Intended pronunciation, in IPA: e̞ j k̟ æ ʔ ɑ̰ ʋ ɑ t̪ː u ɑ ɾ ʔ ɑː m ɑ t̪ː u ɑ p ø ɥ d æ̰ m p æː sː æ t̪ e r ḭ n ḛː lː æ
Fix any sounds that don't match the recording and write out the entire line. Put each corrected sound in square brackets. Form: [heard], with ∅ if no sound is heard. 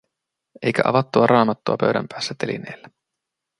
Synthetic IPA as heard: e̞ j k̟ æ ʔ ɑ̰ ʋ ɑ t̪ː u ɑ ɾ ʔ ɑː m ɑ t̪ː u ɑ p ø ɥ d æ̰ m p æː sː æ t̪ e [l] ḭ n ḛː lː æ